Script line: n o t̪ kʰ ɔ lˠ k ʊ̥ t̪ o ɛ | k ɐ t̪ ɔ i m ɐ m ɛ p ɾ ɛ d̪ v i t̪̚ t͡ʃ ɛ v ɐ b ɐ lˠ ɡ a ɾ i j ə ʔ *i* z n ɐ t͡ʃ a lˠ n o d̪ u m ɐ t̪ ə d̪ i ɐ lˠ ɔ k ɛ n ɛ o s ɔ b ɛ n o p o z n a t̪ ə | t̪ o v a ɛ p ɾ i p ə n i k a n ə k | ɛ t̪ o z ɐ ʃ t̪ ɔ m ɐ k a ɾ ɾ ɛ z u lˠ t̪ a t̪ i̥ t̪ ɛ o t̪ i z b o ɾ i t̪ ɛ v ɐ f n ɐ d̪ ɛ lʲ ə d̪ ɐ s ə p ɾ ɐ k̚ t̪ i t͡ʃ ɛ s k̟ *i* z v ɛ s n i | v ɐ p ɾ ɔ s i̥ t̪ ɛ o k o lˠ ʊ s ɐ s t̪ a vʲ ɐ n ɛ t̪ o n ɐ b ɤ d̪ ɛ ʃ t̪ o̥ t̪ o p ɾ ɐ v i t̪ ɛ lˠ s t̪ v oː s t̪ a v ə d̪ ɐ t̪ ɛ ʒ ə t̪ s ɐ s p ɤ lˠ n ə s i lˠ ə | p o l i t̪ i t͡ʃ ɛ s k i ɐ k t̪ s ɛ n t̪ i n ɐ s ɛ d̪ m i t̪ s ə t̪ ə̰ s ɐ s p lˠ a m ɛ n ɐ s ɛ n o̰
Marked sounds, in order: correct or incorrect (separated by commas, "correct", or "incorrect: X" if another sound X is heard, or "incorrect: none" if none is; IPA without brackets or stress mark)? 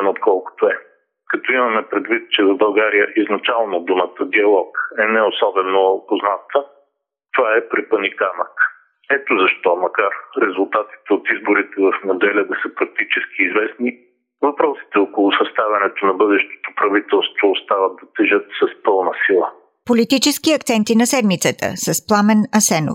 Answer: correct, incorrect: iː